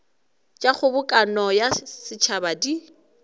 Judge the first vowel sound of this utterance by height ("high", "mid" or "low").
low